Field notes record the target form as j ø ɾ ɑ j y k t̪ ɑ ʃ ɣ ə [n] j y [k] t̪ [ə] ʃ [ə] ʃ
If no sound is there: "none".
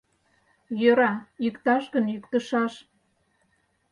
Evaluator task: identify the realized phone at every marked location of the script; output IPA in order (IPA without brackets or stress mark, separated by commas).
n, k, ə, ɑ